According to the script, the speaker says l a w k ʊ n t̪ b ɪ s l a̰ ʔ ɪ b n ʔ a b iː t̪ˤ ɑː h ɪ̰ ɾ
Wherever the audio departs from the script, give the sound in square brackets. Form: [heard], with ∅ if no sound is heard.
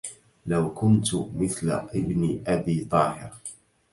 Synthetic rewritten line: l a w k ʊ n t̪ [m] ɪ [θ] l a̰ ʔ ɪ b n ʔ a b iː t̪ˤ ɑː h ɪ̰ ɾ